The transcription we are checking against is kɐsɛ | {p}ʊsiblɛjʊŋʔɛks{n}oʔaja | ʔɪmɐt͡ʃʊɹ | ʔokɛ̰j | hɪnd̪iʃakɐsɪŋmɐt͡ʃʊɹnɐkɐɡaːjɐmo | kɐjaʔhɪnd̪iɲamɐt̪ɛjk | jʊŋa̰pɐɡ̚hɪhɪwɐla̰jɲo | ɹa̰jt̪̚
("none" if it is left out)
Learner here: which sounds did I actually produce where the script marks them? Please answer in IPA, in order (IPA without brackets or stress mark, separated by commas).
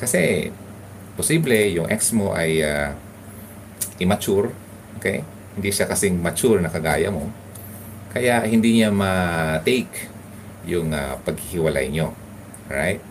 p, m